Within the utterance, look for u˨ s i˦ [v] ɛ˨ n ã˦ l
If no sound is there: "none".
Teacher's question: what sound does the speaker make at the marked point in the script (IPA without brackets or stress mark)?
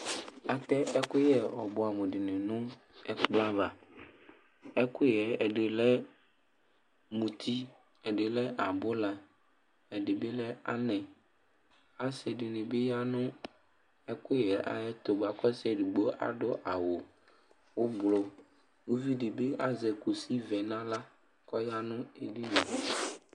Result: v